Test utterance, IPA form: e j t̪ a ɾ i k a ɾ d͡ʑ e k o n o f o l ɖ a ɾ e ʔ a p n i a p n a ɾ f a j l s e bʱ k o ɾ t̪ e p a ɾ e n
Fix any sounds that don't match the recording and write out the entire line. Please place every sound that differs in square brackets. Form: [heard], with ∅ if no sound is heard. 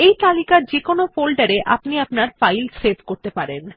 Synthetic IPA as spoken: e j t̪ a [l] i k a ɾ d͡ʑ e k o n o f o l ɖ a ɾ e ʔ a p n i a p n a ɾ f a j l s e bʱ k o ɾ t̪ e p a ɾ e n

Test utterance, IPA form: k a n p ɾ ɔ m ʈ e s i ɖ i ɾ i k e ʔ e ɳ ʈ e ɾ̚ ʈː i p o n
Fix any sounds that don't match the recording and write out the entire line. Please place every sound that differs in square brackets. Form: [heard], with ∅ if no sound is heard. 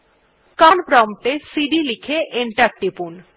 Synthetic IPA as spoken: k a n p ɾ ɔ m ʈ e s i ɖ i [l] i [kʰ] e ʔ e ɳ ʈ [a] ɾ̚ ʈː i p [u] n

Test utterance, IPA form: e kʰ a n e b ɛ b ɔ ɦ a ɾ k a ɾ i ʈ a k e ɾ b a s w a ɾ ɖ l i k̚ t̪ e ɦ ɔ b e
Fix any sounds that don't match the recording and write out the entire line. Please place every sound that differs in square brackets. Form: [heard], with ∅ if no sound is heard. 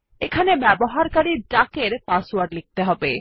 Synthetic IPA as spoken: e kʰ a n e b ɛ b [o] ɦ a ɾ k a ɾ i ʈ a k e ɾ [p] a s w a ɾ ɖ l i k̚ t̪ e ɦ ɔ b e

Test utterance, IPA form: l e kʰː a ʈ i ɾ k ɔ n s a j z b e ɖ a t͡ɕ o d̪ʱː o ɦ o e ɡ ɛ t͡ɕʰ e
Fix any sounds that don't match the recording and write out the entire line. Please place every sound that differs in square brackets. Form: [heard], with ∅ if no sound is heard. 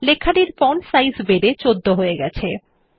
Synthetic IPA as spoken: l e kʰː a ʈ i ɾ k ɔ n s a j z b e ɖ [e] t͡ɕ o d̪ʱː o ɦ o e ɡ ɛ t͡ɕʰ e

